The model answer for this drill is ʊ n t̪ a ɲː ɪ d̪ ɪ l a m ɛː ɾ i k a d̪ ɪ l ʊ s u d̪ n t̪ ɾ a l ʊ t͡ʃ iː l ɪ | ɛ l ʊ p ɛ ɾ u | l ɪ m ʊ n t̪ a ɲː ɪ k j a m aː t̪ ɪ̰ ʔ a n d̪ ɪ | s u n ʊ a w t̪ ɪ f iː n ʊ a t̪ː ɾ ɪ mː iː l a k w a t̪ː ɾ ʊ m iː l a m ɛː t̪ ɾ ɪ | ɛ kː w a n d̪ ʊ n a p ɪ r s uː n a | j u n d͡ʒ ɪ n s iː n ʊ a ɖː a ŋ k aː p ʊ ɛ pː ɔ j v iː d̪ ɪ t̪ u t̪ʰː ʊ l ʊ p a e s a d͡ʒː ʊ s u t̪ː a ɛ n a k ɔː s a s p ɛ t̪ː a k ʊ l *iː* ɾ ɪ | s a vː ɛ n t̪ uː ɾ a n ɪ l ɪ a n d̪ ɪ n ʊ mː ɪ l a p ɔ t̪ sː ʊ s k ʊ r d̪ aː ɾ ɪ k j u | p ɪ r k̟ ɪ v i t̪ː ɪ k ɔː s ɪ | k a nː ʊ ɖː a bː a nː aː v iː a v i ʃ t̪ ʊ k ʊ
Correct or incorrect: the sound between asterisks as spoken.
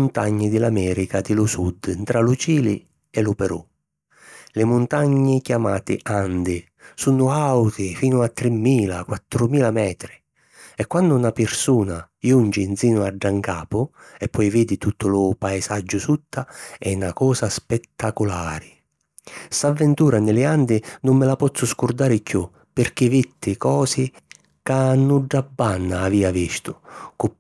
incorrect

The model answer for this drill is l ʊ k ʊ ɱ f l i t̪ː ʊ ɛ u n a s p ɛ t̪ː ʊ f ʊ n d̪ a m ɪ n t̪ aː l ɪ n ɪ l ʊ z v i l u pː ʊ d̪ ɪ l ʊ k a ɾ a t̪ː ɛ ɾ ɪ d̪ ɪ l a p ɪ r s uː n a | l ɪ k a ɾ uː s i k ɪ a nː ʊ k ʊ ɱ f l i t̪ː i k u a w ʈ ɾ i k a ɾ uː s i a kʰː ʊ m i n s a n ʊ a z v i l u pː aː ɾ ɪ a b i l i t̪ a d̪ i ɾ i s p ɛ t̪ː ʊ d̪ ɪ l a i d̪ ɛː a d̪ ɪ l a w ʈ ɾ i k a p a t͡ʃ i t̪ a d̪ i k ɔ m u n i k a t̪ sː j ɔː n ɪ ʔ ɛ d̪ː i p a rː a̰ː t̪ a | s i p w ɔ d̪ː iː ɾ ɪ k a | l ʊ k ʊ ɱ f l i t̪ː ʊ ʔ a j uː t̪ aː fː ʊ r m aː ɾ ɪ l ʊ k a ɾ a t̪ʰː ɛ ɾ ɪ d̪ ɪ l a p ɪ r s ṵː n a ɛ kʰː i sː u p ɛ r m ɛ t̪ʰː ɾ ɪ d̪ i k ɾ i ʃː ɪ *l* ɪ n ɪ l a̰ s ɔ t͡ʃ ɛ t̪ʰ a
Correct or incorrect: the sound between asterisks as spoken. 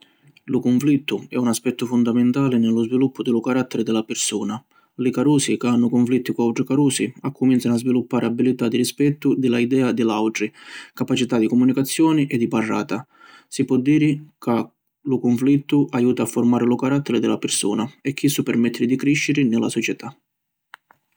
incorrect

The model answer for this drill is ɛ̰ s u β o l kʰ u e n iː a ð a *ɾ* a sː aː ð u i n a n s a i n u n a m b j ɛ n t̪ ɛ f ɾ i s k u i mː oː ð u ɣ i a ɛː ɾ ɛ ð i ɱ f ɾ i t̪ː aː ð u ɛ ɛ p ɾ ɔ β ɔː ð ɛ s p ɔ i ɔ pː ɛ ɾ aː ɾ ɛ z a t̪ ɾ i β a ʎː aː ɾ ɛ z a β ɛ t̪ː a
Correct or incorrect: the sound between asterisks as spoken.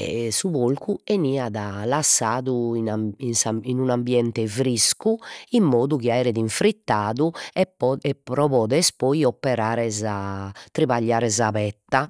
incorrect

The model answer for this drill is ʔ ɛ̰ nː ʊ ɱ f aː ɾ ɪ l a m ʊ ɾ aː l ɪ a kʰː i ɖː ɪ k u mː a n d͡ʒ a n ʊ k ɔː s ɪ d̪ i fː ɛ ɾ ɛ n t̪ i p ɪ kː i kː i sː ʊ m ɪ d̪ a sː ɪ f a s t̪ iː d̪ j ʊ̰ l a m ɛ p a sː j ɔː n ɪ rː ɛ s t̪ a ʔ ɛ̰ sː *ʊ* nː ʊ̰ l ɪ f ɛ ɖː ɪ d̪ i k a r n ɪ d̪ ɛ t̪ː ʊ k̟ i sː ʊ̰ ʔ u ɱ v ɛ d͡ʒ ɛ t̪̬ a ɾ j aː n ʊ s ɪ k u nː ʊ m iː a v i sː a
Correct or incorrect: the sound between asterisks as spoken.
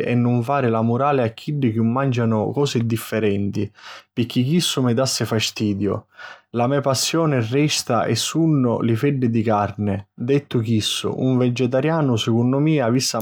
incorrect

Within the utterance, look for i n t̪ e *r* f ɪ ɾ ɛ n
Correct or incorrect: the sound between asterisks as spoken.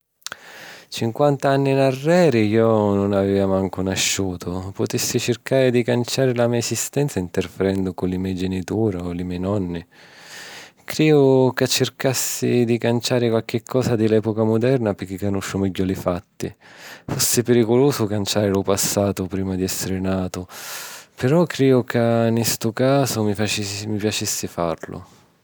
correct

